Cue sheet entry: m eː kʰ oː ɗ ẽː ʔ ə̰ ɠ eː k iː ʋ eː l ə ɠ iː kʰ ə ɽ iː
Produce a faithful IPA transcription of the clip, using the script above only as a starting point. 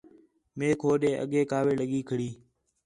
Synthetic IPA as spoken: m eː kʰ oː ɗ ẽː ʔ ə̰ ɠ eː k aː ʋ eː l ə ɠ iː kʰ ə ɽ iː